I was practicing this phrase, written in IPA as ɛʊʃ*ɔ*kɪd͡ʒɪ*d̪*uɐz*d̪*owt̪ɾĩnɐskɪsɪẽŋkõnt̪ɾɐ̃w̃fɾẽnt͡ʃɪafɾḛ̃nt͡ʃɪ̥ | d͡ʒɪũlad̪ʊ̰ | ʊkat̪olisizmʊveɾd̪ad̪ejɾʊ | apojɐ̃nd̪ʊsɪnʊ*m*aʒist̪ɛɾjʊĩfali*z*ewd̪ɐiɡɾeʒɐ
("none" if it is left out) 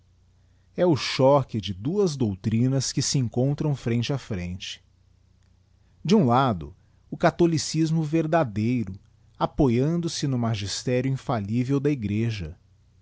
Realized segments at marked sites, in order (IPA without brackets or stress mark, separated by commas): ɔ, d̪, d̪, m, v